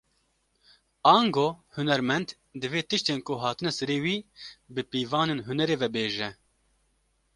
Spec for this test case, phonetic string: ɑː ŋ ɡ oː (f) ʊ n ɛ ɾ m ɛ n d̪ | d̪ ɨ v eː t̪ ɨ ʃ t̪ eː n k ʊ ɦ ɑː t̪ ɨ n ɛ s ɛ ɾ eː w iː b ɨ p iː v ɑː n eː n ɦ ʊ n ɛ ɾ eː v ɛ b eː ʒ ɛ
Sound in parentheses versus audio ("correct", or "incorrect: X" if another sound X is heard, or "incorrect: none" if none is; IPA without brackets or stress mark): incorrect: h